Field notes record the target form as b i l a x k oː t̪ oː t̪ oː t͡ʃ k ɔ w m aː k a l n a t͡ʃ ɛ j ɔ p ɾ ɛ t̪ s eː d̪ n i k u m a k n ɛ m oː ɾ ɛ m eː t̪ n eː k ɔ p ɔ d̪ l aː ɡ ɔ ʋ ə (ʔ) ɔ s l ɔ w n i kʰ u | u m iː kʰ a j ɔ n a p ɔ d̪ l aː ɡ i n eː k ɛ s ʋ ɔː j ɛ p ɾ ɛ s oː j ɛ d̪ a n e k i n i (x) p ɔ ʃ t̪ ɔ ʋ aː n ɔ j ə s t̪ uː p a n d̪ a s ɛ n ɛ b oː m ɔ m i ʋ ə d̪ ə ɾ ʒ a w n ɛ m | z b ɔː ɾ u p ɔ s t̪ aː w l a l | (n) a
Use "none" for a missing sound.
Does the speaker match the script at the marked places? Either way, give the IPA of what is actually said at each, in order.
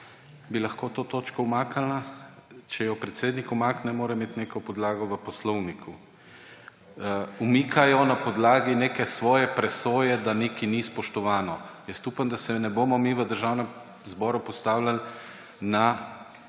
p, s, n

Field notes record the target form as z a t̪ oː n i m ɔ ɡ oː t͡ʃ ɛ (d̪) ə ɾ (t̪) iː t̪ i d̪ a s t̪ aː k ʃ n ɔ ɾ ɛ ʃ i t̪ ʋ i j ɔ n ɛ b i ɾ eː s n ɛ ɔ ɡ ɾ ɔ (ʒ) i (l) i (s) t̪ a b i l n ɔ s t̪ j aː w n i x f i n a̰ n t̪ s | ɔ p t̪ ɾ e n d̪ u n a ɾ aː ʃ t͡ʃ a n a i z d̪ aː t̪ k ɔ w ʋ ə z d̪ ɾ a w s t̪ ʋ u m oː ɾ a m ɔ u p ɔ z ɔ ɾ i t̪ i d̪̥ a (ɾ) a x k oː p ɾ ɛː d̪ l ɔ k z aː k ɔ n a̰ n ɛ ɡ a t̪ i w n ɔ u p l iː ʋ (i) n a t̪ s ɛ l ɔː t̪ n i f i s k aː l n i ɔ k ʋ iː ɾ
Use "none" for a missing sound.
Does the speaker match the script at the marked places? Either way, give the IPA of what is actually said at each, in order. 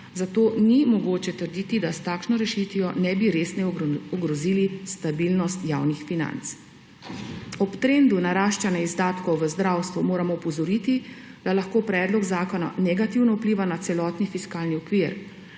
t̪, d̪, z, l, s, l, a

